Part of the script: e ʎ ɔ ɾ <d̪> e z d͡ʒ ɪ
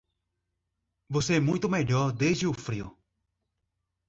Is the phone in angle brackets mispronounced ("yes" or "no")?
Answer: no